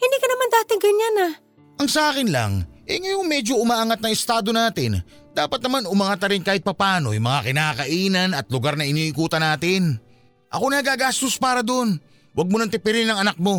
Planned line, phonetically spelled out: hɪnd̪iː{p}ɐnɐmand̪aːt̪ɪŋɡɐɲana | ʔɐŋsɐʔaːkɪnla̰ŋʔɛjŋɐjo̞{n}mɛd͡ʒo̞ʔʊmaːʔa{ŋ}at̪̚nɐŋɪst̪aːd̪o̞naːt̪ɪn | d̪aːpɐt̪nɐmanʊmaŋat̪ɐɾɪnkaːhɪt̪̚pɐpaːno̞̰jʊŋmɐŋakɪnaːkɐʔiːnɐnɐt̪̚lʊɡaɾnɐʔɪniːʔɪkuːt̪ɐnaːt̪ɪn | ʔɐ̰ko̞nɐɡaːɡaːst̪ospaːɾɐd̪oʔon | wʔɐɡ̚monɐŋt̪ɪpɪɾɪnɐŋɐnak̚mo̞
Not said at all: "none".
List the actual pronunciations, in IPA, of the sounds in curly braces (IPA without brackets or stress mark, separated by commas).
k, ŋ, ŋ